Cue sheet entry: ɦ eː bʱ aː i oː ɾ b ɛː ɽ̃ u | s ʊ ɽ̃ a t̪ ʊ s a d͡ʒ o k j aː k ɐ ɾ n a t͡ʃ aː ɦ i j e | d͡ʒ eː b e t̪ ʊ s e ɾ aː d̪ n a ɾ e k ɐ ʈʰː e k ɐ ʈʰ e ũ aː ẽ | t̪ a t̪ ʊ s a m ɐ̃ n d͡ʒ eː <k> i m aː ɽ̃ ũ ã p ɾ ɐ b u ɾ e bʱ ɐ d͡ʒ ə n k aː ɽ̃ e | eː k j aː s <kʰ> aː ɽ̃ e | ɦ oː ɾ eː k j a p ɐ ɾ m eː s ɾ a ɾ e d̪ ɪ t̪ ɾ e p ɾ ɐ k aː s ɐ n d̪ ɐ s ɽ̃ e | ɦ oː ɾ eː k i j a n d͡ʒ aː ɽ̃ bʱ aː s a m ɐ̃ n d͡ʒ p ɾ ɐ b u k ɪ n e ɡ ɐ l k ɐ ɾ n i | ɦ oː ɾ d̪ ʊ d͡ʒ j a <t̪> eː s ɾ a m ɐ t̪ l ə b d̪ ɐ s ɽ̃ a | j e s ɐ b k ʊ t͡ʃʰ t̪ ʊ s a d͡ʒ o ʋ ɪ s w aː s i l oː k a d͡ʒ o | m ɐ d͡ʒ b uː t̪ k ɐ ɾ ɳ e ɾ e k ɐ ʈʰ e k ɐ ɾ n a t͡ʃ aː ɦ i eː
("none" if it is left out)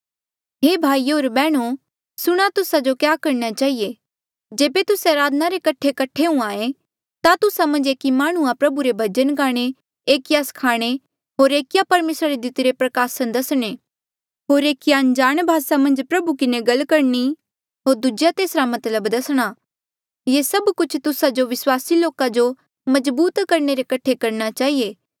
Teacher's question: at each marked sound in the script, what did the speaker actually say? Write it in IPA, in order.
k, kʰ, t̪

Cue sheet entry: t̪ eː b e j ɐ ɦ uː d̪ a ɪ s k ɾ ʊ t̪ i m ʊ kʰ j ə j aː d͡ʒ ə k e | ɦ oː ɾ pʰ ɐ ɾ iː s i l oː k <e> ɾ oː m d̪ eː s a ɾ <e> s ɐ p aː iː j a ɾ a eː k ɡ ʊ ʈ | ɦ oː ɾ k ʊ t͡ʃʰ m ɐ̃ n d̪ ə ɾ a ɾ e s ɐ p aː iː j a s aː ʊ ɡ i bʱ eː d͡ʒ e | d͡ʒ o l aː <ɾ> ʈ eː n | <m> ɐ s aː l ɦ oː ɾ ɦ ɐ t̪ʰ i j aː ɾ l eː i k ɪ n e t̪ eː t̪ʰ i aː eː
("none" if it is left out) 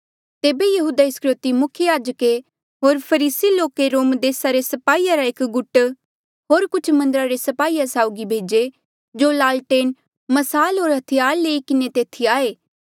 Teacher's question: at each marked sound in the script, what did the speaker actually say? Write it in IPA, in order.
e, e, l, m

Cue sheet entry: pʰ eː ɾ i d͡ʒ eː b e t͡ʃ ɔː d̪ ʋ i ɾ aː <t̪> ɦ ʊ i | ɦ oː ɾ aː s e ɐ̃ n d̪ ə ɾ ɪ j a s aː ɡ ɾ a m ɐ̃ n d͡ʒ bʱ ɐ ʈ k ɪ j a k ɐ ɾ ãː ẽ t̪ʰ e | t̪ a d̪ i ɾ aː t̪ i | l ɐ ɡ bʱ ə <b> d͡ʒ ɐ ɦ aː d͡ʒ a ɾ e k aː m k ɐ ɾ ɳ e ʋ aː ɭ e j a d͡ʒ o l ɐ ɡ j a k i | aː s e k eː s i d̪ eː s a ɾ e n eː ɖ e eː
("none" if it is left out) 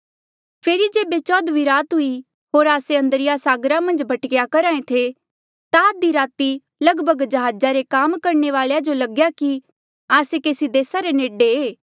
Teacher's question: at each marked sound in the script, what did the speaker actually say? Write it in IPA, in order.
t̪, ɡ

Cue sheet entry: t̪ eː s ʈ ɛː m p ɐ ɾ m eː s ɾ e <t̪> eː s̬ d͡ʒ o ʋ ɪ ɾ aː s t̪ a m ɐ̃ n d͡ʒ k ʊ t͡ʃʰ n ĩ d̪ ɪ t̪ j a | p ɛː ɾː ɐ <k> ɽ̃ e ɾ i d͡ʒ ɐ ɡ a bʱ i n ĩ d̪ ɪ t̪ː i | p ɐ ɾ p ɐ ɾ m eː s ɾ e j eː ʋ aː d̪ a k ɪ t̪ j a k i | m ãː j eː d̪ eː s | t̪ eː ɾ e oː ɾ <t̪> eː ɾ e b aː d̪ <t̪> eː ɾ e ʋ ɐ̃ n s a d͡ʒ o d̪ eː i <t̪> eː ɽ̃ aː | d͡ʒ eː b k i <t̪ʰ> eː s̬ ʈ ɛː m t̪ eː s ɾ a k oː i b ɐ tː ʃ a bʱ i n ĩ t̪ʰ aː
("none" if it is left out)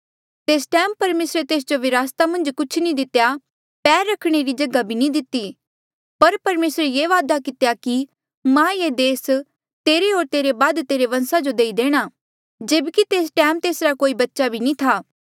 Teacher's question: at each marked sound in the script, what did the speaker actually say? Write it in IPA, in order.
t̪, kʰ, t̪, t̪, d̪, t̪

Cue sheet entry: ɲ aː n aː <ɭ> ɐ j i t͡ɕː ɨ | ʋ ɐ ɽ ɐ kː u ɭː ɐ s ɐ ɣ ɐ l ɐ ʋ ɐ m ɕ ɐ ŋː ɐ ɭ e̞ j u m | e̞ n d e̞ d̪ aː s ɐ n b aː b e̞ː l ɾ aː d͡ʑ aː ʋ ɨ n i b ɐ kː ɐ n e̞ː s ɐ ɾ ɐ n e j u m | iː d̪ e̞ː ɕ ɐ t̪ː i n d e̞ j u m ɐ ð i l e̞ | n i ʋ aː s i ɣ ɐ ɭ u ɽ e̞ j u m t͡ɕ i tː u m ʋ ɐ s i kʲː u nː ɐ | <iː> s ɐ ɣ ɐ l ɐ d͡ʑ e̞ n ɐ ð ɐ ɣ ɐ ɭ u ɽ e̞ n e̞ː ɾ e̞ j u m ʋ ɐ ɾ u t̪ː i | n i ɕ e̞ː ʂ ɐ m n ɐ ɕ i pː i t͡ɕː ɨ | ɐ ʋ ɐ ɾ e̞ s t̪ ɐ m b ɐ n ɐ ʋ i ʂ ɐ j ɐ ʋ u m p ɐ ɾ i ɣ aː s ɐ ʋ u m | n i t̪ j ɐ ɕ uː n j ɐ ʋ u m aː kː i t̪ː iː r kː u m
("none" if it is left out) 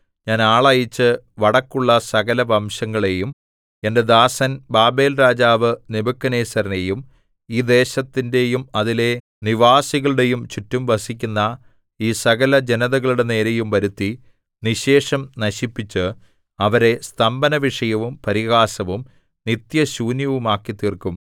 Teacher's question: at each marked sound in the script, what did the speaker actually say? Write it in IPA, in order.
ɭ, iː

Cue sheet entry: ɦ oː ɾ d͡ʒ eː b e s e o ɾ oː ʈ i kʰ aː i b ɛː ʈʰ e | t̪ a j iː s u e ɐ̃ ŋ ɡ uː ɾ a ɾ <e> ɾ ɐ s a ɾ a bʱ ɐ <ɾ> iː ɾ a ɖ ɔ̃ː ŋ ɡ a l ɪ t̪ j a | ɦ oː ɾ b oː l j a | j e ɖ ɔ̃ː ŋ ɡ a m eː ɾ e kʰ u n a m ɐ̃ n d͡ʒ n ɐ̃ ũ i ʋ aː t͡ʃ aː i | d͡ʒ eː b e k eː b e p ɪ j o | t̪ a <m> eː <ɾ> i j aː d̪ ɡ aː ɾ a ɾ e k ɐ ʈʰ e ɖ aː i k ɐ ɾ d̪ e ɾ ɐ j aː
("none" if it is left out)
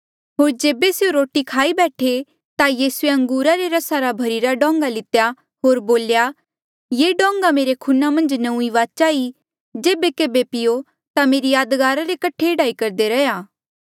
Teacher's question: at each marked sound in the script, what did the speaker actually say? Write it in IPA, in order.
e, ɾ, m, ɾ

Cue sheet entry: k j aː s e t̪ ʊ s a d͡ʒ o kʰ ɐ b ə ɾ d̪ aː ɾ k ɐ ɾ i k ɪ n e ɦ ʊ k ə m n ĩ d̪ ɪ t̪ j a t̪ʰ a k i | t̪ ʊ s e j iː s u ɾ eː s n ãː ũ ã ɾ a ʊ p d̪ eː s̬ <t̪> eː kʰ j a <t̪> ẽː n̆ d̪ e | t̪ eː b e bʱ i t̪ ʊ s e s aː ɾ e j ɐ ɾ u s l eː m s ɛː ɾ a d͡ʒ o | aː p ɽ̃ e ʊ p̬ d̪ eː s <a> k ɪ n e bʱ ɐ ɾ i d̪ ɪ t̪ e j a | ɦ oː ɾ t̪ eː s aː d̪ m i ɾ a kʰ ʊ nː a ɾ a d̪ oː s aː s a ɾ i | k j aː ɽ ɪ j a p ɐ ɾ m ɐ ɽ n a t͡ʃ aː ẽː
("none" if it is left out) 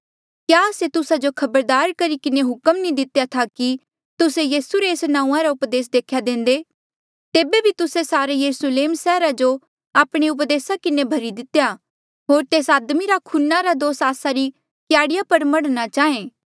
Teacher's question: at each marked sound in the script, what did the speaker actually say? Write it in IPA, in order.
d̪, d̪, a

